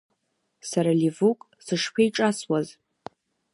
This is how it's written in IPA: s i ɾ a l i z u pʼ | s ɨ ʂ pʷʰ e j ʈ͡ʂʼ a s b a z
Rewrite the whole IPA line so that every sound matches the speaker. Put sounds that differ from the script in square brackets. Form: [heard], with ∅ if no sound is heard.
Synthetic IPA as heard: s [a] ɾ a l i [v] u [kʼ] | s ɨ ʂ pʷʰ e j ʈ͡ʂʼ a s [w] a z